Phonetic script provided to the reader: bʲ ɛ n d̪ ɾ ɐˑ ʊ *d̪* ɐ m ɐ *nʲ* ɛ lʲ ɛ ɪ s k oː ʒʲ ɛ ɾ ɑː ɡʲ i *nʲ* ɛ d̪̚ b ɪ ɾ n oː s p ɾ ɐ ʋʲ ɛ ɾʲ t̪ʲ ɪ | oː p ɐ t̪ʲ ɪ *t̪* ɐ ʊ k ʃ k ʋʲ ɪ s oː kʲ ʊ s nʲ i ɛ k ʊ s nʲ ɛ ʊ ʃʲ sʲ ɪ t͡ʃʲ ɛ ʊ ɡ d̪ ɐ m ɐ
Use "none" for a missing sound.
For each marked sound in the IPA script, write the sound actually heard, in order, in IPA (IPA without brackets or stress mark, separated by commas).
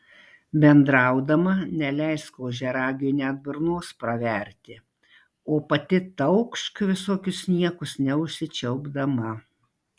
d̪, nʲ, nʲ, t̪